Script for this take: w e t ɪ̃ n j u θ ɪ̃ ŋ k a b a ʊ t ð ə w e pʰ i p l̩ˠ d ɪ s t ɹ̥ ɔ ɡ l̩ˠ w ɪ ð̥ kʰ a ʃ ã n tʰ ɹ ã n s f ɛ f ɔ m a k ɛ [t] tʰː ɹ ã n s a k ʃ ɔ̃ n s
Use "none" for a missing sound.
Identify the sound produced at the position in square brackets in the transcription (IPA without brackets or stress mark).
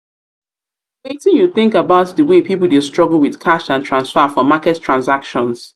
t